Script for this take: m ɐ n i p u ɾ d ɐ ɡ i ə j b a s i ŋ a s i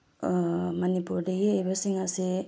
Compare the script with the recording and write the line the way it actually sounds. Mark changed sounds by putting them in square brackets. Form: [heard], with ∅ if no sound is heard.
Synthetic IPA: m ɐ n i p u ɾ d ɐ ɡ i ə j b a s i ŋ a s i